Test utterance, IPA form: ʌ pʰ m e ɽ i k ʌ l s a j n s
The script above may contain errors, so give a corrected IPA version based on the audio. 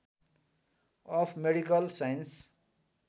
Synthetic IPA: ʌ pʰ m e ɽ i k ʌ l s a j n s